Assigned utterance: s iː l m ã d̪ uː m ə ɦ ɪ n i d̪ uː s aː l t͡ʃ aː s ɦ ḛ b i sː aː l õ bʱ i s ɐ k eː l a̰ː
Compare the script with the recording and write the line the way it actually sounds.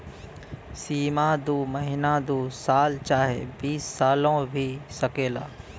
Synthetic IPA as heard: s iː m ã d̪ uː m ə ɦ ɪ n a d̪ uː s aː l t͡ʃ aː ɦ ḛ b iː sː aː l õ bʱ i s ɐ k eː l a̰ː